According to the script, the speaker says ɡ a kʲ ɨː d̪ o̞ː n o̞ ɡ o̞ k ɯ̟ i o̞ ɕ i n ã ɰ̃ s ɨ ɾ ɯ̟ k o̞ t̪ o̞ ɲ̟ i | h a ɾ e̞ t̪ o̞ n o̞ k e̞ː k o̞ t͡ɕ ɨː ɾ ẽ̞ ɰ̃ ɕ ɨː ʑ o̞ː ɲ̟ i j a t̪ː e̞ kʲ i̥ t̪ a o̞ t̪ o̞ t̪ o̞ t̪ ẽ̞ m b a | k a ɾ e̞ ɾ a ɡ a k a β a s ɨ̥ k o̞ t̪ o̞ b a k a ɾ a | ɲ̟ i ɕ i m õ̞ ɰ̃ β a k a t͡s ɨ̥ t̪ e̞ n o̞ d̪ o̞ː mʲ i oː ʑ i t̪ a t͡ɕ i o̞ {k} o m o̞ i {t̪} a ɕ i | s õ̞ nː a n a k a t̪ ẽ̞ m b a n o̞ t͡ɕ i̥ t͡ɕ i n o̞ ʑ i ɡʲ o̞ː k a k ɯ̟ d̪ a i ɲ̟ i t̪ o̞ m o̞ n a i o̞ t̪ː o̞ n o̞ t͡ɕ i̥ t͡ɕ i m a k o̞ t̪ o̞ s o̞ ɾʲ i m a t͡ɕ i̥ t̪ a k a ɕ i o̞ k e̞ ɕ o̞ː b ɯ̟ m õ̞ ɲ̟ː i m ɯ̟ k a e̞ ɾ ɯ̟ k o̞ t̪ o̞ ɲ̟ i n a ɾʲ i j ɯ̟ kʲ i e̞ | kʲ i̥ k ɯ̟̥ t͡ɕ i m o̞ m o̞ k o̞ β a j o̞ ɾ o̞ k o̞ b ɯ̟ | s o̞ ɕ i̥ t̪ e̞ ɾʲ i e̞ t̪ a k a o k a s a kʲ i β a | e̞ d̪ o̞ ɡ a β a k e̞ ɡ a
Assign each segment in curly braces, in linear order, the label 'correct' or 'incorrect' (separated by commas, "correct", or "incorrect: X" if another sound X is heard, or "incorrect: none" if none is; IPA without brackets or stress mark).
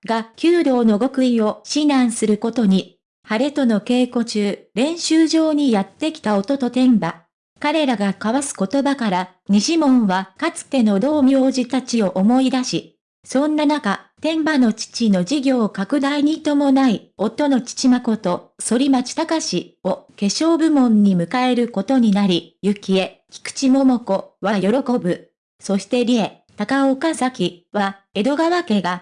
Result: incorrect: ʔ, incorrect: d̪